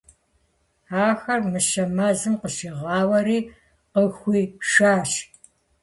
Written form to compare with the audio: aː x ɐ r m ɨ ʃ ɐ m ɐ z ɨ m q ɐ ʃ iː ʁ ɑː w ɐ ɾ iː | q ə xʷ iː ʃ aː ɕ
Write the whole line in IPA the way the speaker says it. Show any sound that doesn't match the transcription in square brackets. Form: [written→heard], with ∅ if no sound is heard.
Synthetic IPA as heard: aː x ɐ r m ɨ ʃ ɐ m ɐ z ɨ m q [ɐ→ə] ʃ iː ʁ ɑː w ɐ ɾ iː | q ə xʷ iː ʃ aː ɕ